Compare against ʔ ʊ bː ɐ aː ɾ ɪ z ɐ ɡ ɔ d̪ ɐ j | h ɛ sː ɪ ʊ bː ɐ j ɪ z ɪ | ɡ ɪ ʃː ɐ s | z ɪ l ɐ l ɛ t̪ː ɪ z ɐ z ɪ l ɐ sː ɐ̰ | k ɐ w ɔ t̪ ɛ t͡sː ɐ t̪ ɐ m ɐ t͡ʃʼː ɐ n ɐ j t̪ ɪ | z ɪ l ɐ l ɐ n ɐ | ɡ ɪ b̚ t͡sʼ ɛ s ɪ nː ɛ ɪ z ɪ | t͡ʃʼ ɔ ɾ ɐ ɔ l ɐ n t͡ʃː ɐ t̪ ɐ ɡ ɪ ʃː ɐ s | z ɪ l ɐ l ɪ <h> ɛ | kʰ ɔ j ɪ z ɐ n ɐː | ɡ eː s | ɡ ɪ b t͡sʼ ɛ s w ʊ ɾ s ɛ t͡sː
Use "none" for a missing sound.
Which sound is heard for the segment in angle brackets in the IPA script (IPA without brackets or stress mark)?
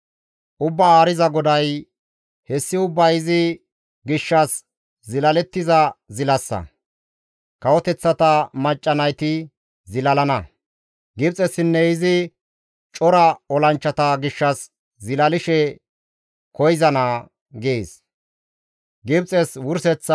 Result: ʃ